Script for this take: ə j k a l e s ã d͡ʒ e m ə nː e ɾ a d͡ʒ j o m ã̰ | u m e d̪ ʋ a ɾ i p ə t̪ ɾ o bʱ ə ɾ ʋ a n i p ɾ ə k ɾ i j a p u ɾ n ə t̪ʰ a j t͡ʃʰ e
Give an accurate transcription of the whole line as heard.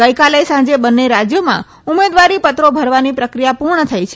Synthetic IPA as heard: ə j k a l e s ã d͡ʒ e b ə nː e ɾ a d͡ʒ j o m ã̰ | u m e d̪ ʋ a ɾ i p ə t̪ ɾ o bʱ ə ɾ ʋ a n i p ɾ ə k ɾ i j a p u ɾ ɳ ə t̪ʰ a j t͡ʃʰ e